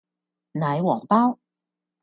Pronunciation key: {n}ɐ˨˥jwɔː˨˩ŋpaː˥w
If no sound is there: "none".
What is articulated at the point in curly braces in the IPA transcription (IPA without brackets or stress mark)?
n